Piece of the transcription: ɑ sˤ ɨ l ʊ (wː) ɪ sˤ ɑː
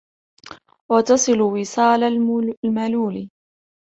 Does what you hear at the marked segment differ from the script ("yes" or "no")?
yes